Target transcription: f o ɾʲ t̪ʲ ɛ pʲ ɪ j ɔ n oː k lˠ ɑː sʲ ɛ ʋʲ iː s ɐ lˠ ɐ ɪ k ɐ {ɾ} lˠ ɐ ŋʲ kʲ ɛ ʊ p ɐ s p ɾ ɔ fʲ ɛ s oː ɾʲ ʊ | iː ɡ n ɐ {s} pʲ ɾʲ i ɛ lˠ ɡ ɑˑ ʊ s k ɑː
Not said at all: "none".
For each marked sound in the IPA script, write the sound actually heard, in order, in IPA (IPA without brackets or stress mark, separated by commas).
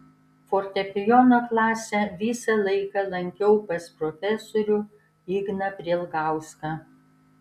none, none